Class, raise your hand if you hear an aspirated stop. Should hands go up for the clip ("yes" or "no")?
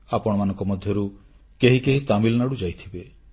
yes